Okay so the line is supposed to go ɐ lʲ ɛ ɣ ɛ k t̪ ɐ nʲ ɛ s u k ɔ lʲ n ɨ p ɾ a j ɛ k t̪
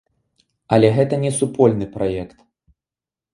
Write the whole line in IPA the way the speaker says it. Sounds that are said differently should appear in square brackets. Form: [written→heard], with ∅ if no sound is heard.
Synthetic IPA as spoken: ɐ lʲ ɛ ɣ ɛ [k→∅] t̪ ɐ nʲ ɛ s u [k→p] ɔ lʲ n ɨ p ɾ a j ɛ k t̪

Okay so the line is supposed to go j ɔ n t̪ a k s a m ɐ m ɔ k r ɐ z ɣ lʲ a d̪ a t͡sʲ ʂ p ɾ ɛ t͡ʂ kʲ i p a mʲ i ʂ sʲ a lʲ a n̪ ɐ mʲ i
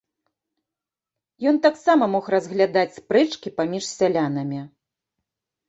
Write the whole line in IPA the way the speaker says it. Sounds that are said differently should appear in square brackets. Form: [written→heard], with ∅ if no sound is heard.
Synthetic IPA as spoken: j ɔ n t̪ a k s a m ɐ m ɔ [k→x] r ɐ z ɣ lʲ a d̪ a t͡sʲ [ʂ→s] p ɾ ɛ t͡ʂ kʲ i p a mʲ i ʂ sʲ a lʲ a n̪ ɐ mʲ i

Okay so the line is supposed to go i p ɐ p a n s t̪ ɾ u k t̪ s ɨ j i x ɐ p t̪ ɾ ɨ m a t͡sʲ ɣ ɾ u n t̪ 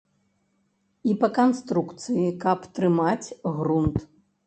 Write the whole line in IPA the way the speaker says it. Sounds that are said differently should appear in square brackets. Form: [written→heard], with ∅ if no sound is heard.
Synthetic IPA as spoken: i p ɐ [p→k] a n s t̪ ɾ u k t̪ s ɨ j i [x→k] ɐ p t̪ ɾ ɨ m a t͡sʲ ɣ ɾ u n t̪

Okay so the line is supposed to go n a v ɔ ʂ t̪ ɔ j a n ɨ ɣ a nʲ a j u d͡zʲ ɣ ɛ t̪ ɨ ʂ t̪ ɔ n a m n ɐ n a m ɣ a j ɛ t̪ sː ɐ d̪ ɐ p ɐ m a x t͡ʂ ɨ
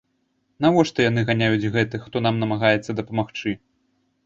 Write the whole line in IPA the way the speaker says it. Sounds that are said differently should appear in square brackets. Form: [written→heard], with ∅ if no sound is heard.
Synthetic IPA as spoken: n a v ɔ ʂ t̪ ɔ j a n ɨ ɣ a nʲ a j u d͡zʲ ɣ ɛ t̪ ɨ [ʂ→x] t̪ ɔ n a m n ɐ [n→m] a [m→∅] ɣ a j ɛ t̪ sː ɐ d̪ ɐ p ɐ m a x t͡ʂ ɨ

